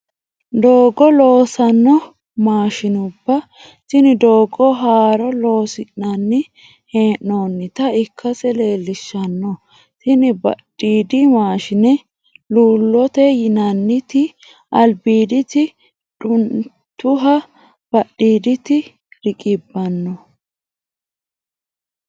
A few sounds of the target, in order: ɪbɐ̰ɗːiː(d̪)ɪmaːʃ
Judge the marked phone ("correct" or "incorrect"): correct